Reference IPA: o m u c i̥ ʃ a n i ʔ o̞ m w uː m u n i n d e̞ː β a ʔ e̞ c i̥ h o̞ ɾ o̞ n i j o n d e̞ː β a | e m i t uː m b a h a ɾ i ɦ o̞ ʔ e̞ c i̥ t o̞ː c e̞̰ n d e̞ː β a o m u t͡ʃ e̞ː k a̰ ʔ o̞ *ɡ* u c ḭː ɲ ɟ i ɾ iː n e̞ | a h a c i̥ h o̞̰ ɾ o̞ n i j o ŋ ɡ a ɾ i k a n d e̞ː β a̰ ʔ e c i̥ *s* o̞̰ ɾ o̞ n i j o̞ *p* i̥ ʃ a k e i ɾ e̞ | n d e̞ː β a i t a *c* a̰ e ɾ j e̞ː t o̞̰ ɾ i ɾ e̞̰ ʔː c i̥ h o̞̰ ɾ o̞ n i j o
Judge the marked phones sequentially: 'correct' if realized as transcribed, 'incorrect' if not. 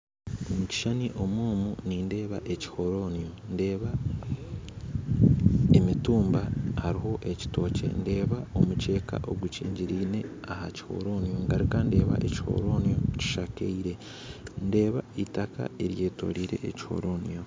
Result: correct, incorrect, incorrect, incorrect

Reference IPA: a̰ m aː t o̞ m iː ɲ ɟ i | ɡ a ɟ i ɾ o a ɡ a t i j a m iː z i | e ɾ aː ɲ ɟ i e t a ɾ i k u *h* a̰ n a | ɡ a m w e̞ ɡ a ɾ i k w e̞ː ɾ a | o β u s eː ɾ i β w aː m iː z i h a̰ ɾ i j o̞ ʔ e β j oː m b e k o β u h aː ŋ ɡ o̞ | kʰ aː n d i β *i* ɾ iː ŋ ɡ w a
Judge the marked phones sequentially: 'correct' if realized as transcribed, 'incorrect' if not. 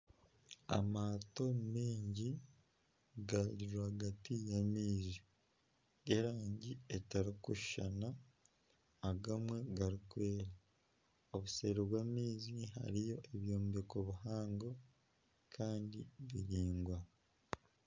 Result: incorrect, correct

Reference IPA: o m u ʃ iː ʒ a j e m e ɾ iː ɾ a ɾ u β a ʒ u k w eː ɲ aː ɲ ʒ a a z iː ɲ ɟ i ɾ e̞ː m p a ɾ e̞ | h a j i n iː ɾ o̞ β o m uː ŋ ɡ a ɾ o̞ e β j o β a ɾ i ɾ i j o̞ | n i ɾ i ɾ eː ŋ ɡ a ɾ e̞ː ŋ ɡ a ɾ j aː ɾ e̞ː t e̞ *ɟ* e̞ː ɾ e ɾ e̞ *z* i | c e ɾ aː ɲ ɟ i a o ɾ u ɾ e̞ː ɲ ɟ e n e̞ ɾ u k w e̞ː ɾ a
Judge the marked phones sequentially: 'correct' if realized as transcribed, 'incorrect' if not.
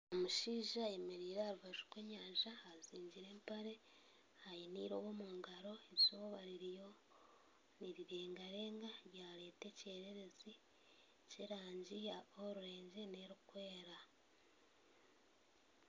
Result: incorrect, correct

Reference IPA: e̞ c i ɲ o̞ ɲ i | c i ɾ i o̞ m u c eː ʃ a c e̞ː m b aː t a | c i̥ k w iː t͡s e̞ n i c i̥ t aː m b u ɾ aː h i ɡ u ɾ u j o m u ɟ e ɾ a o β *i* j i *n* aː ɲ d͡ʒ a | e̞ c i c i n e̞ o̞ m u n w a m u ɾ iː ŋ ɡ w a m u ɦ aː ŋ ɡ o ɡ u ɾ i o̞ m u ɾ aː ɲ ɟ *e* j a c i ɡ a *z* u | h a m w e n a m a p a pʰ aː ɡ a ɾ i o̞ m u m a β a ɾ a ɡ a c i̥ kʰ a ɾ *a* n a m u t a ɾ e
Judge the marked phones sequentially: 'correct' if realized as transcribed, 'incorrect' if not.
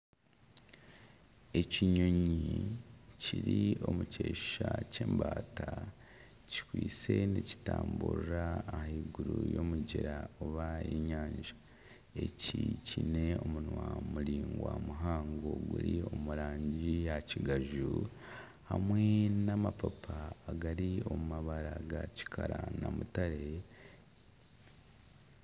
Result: incorrect, incorrect, incorrect, incorrect, correct

